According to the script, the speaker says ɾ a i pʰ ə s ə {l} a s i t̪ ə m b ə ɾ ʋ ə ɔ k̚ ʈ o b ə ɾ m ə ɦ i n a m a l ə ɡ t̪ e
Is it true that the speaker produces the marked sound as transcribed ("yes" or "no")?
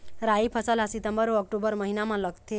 yes